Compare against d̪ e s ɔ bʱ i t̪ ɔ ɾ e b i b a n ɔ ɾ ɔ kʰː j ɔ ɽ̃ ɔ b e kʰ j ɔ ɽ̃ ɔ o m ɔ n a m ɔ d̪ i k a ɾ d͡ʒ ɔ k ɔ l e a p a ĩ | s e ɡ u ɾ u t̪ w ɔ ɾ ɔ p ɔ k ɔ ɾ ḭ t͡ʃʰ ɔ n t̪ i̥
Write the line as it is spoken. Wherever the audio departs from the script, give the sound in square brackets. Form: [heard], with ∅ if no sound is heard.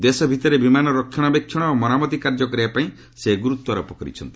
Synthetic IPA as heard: d̪ e s ɔ bʱ i t̪ ɔ ɾ e b i [m] a n ɔ ɾ ɔ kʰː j ɔ ɽ̃ ɔ b e kʰ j ɔ ɽ̃ ɔ o m ɔ n a m ɔ [t̪] i k a ɾ d͡ʒ ɔ k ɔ [ɾ] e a p a ĩ | s e ɡ u ɾ u t̪ w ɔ ɾ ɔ p ɔ k ɔ ɾ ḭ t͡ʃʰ ɔ n t̪ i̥